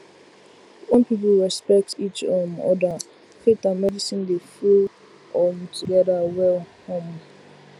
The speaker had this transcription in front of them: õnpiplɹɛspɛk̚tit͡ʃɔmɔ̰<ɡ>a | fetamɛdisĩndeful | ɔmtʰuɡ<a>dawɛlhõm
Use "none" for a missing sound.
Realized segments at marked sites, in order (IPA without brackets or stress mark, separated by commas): d, ɛ